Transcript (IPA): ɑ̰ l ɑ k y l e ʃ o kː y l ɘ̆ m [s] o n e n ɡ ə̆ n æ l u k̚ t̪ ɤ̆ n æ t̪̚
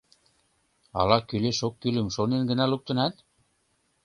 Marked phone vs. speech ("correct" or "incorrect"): incorrect